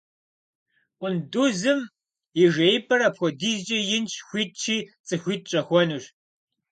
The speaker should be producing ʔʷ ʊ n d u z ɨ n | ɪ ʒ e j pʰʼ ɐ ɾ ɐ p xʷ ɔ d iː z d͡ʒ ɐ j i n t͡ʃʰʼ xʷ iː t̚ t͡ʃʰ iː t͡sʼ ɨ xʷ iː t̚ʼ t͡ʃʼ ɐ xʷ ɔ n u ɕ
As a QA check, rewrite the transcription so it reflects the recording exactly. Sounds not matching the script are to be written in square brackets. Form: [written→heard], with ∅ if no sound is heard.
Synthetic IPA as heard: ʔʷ ʊ n d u z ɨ [n→m] | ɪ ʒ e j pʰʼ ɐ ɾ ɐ p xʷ ɔ d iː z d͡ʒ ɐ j [i→ɪ] n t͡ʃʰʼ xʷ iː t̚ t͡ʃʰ iː t͡sʼ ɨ xʷ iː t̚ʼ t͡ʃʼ ɐ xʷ ɔ n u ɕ